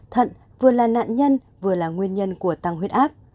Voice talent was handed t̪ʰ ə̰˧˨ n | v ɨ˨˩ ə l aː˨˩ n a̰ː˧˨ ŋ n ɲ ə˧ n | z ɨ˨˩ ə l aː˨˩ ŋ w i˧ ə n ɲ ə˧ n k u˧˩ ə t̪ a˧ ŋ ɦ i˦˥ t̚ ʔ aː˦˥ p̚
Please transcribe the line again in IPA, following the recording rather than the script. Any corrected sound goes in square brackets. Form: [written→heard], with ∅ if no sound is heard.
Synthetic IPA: t̪ʰ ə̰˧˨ n | v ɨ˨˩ ə l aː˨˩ n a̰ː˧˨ [ŋ→∅] n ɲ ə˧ n | [z→v] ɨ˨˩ ə l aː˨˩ ŋ w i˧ ə n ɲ ə˧ n k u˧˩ ə t̪ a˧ ŋ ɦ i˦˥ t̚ ʔ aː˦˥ p̚